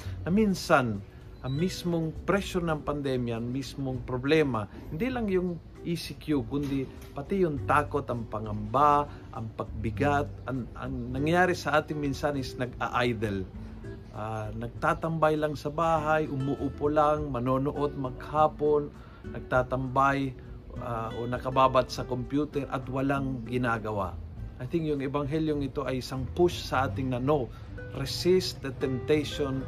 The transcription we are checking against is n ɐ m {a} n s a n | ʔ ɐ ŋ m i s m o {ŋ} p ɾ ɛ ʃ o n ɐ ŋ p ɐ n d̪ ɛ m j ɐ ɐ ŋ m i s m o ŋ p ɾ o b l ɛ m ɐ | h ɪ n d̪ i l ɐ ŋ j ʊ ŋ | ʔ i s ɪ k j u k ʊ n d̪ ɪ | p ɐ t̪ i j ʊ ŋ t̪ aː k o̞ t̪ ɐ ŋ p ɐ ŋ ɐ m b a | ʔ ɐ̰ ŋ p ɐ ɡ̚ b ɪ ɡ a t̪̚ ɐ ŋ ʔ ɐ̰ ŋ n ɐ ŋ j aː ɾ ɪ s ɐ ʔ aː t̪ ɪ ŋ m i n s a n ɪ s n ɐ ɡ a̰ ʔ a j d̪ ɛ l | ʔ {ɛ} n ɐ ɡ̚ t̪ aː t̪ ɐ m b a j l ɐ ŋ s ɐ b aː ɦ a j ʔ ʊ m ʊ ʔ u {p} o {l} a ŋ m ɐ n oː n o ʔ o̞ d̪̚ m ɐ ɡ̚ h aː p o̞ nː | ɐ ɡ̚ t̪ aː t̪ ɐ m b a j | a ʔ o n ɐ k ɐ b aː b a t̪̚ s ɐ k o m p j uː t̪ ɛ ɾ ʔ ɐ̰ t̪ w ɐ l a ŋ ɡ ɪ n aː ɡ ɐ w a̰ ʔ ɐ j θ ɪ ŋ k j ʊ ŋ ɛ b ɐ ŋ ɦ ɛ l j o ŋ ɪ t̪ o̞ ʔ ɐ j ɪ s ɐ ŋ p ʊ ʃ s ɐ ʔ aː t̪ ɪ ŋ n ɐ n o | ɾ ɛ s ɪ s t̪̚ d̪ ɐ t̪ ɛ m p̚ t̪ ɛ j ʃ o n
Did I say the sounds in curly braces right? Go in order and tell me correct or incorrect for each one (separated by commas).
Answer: incorrect, correct, incorrect, correct, correct